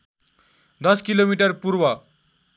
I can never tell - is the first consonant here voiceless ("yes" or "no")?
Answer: no